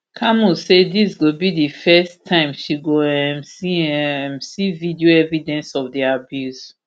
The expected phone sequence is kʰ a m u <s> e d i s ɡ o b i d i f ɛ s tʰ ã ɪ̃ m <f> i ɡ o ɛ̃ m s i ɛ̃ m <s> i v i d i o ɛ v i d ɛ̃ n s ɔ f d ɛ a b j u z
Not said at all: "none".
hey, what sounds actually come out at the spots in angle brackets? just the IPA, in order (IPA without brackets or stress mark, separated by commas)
s, ʃ, s